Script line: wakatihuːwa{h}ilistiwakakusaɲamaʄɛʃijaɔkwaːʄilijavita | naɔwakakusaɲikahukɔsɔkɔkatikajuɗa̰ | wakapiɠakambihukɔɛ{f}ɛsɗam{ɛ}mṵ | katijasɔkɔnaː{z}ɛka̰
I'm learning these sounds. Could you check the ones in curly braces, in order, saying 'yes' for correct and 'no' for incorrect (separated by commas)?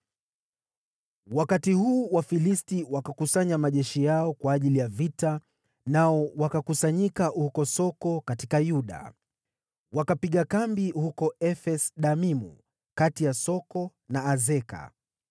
no, yes, no, yes